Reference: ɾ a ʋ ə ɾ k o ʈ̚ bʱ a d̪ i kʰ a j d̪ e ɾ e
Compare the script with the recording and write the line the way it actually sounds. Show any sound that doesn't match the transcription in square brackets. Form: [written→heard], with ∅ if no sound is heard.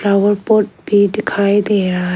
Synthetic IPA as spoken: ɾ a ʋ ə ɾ [k→p] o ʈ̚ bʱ [a→i] d̪ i kʰ a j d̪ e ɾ [e→a]